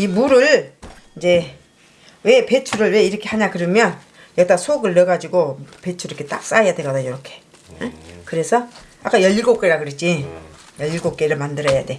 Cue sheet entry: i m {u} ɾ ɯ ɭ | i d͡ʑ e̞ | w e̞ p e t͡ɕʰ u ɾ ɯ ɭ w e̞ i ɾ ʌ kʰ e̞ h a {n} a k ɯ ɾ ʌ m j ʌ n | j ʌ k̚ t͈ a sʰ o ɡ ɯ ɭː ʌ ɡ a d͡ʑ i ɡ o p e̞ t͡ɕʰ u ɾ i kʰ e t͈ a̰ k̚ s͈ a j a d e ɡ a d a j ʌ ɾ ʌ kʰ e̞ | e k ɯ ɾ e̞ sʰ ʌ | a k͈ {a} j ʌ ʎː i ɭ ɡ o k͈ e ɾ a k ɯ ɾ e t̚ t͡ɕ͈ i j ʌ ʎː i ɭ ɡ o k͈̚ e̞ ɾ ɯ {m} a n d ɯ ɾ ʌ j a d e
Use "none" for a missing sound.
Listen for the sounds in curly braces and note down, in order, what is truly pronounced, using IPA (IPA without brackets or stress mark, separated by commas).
u, ɲ, a, m